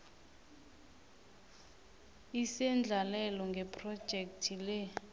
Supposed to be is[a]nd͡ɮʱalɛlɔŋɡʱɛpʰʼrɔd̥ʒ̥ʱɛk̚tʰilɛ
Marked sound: incorrect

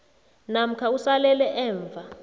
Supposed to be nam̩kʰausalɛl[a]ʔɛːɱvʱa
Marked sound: incorrect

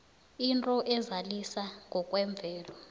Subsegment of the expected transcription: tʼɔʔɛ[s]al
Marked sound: incorrect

